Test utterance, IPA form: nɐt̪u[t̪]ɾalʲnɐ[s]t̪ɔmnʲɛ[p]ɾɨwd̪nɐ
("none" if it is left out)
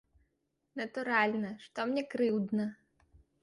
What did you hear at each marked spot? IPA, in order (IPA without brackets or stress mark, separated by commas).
none, ʂ, k